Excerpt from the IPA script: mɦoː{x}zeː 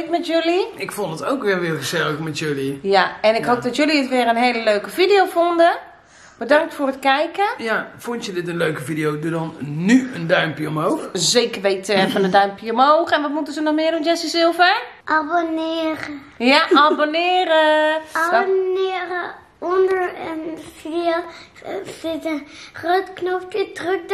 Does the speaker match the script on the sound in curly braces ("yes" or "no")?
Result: yes